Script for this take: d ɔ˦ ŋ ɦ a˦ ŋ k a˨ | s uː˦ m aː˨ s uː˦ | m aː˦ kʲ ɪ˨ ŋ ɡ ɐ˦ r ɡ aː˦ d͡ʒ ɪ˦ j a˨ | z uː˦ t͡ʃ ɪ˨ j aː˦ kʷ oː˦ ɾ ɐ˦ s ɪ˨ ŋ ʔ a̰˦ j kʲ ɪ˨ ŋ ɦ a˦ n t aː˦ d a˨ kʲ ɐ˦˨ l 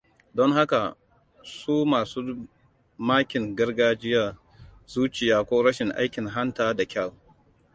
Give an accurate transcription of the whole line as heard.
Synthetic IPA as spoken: d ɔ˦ ŋ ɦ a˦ k a˨ | s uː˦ m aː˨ s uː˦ | m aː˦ kʲ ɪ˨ ŋ ɡ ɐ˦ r ɡ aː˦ d͡ʒ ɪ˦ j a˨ | z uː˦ t͡ʃ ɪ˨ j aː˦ kʷ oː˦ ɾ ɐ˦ ʃ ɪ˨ ŋ ʔ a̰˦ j kʲ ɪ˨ ŋ ɦ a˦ n t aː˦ d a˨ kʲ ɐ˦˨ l